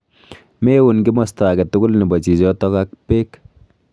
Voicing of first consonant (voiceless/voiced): voiced